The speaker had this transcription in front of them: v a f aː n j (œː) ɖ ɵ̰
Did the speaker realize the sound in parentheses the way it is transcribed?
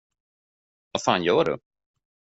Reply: yes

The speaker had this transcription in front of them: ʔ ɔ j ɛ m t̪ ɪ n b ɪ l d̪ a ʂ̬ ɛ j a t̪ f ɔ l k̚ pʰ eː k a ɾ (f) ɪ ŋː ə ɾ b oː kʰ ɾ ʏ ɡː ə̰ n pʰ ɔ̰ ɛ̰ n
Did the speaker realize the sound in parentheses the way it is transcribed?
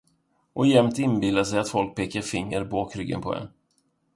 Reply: yes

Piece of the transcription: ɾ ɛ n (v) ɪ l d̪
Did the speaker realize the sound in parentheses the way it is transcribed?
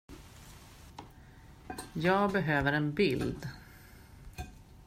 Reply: no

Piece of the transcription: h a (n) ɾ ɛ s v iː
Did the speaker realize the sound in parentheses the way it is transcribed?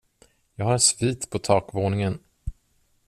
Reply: no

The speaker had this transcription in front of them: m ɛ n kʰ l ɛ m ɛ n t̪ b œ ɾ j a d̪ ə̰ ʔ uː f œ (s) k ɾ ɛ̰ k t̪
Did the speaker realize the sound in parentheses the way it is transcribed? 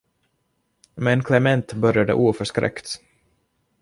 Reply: no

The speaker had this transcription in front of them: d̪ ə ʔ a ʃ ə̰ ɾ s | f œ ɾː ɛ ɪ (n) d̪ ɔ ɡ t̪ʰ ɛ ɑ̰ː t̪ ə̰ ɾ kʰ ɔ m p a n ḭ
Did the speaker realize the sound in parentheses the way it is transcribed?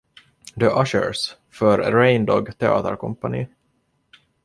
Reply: yes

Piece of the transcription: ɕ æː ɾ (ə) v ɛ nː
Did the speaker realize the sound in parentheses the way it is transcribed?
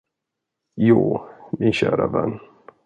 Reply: no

